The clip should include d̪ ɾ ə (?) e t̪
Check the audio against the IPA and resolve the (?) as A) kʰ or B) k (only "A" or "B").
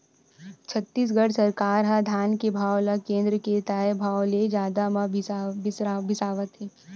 B